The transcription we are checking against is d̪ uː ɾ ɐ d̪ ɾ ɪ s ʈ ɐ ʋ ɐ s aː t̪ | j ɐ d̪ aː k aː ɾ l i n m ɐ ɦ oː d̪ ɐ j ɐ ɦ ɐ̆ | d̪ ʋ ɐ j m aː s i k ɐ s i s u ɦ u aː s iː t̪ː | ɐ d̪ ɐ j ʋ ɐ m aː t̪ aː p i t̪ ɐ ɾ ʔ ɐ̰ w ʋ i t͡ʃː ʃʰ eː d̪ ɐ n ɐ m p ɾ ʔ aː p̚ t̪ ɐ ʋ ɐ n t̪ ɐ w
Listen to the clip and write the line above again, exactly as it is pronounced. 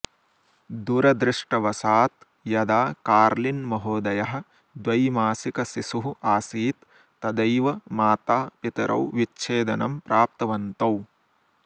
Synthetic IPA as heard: d̪ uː ɾ ɐ d̪ ɾ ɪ ʂ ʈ ɐ ʋ ɐ s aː t̪ | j ɐ d̪ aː k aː ɾ l i n m ɐ ɦ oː d̪ ɐ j ɐ ɦ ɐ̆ | d̪ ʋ ɐ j m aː s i k ɐ s i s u ɦ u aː s iː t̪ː | ɐ d̪ ɐ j ʋ ɐ m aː t̪ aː p i t̪ ɐ ɾ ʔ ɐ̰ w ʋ i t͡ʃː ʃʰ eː d̪ ɐ n ɐ m p ɾ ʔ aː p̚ t̪ ɐ ʋ ɐ n t̪ ɐ w